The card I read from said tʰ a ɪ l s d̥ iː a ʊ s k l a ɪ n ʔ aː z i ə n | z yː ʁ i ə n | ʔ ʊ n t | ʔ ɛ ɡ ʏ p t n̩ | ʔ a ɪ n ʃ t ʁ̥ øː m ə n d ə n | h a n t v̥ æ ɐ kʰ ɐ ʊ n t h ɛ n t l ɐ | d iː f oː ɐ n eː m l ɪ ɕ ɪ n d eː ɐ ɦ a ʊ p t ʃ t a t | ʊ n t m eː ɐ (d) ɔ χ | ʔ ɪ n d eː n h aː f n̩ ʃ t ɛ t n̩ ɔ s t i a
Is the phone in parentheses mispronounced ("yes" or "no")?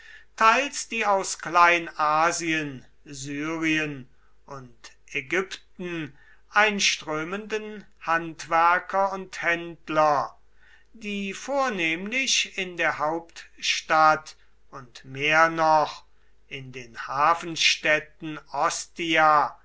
yes